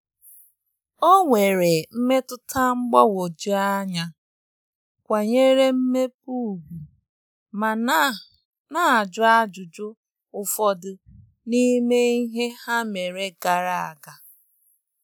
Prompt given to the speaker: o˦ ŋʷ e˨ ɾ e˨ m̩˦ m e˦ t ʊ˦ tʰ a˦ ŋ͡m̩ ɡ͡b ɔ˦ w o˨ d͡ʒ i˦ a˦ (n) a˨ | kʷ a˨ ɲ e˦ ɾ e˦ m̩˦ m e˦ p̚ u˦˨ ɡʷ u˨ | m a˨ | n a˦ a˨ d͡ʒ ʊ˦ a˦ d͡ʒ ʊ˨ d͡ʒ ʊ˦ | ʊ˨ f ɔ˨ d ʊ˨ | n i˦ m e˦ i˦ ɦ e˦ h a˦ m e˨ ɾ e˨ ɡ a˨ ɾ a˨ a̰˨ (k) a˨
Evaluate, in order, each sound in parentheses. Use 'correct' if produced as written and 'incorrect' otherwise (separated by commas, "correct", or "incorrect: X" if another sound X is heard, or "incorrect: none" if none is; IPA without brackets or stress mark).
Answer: incorrect: ɲ, incorrect: ɡ